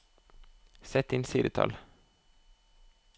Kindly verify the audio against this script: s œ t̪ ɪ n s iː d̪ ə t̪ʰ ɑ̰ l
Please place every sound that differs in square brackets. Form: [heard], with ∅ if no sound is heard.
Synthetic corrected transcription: s [ɛ] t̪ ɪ n s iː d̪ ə t̪ʰ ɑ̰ l